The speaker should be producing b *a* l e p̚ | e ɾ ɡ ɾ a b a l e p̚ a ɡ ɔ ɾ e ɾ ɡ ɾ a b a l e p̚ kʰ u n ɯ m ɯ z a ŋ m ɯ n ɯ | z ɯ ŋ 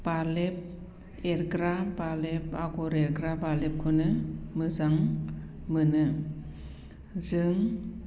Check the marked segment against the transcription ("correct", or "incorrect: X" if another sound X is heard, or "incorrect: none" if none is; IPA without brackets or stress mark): correct